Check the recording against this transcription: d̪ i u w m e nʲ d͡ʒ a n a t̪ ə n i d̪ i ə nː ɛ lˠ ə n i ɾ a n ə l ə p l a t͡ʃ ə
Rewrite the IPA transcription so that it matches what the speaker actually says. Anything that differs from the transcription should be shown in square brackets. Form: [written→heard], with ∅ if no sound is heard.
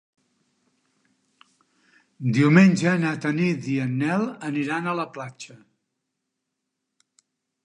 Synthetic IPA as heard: d̪ i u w m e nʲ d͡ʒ [a→ə] n a t̪ ə n i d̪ i ə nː ɛ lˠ ə n i ɾ a n ə l ə p l a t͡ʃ ə